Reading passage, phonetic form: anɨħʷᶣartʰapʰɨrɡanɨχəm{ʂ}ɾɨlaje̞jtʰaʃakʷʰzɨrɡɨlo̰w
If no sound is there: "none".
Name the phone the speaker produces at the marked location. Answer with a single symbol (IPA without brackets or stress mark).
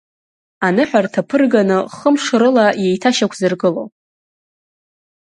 ʂ